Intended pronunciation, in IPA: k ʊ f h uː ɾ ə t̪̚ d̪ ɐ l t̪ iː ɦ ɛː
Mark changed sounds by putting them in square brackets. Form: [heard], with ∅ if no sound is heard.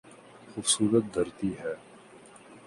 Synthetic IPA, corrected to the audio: [x] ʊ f [s] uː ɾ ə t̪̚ d̪ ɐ [ɾ] t̪ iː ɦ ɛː